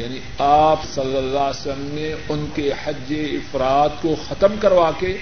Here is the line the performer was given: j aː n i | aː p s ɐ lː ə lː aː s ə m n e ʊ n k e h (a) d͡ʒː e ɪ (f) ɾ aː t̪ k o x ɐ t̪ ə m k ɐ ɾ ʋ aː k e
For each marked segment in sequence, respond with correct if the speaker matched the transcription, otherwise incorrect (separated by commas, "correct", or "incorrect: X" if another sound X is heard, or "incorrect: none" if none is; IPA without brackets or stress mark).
incorrect: ɐ, correct